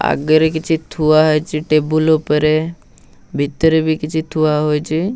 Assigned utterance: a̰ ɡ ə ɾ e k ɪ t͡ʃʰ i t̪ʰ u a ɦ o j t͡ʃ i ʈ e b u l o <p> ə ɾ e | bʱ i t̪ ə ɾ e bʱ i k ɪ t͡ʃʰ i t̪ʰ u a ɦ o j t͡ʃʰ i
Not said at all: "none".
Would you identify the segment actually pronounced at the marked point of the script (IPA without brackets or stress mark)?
p